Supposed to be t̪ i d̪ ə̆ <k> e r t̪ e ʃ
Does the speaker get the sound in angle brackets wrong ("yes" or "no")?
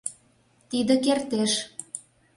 no